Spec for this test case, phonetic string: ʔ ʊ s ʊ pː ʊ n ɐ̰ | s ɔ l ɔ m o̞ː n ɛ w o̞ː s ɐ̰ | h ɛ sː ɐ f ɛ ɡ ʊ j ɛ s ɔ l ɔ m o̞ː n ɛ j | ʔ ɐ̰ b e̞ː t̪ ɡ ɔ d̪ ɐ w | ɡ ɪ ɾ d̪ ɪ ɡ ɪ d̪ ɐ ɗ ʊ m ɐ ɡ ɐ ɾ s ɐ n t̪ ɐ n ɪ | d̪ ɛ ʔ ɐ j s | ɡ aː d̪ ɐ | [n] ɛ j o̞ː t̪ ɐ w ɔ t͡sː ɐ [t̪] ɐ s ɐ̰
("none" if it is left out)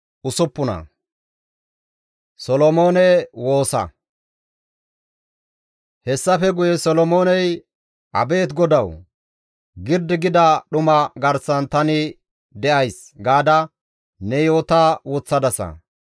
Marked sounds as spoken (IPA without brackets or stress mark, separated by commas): n, d̪